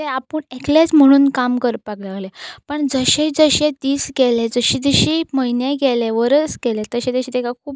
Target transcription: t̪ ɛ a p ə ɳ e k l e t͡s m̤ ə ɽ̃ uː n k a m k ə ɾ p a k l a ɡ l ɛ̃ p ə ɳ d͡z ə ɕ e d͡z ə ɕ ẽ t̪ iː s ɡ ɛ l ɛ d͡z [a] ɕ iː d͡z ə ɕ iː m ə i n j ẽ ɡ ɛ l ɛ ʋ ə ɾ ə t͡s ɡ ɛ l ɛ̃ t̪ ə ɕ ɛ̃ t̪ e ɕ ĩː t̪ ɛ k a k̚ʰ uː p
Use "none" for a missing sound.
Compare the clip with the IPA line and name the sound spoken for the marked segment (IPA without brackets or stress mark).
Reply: ə